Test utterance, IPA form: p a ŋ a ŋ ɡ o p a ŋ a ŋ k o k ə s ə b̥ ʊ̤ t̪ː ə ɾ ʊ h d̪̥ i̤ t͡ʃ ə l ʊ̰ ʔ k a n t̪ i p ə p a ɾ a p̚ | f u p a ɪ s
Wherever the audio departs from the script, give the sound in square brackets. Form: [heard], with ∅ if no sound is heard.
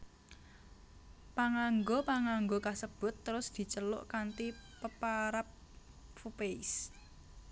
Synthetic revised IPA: p a ŋ a ŋ ɡ o p a ŋ a ŋ [ɡ] o k [a] s ə b̥ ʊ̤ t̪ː ə ɾ ʊ [s] d̪̥ i̤ t͡ʃ ə l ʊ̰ ʔ k a n t̪ i p ə p a ɾ a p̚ | f u p [e] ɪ s